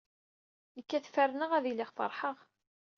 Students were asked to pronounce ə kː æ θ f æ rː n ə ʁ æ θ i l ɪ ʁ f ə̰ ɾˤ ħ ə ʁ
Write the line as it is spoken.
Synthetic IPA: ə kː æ θ f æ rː n ə ʁ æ ð i l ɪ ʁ f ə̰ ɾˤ ħ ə ʁ